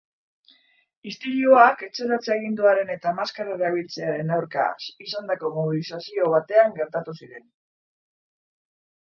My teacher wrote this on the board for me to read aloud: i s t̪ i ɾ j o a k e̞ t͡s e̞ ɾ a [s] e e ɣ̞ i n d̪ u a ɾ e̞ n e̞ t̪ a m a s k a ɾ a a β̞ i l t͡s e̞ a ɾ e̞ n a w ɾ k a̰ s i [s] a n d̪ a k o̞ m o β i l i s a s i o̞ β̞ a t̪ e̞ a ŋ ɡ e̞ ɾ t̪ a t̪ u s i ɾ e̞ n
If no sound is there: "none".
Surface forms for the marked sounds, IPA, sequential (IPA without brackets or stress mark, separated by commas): t͡s, s